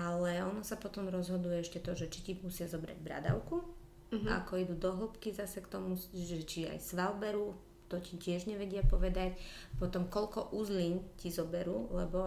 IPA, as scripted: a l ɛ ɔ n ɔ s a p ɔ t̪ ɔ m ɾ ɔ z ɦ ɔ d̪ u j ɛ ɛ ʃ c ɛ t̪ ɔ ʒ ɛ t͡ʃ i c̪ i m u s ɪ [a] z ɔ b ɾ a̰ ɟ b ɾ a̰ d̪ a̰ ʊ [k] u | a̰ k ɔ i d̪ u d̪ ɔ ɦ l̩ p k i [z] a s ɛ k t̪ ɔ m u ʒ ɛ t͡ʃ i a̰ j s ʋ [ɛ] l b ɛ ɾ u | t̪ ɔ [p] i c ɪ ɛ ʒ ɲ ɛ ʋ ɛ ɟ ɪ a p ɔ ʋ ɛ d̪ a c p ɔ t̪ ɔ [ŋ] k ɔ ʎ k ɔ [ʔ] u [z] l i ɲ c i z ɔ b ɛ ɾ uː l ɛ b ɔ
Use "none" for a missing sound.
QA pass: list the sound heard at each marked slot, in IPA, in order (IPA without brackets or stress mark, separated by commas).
a, k, z, a, c, m, ʔ, z